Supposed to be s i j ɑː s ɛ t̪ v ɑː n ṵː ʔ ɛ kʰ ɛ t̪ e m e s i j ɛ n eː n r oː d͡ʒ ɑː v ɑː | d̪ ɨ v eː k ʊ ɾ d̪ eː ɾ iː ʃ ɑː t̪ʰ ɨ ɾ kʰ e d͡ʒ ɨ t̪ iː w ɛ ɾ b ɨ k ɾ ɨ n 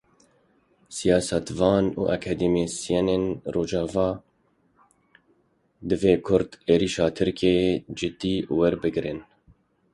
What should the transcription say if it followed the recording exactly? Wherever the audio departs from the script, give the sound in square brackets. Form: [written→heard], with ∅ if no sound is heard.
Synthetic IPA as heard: s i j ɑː s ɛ t̪ v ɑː n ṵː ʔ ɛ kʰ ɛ [t̪→d̪] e m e s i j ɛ n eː n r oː d͡ʒ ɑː v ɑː | d̪ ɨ v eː [k→kʰ] ʊ ɾ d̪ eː ɾ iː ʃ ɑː t̪ʰ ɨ ɾ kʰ e d͡ʒ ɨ t̪ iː w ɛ ɾ b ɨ [k→ɡ] ɾ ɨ n